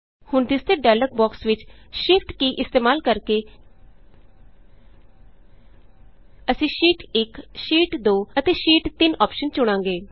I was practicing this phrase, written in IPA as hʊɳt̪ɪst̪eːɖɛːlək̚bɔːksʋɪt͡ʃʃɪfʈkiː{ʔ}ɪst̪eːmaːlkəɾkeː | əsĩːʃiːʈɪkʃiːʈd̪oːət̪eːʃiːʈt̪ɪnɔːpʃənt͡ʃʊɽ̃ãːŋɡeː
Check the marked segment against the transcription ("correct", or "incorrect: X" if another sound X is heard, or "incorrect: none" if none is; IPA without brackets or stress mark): correct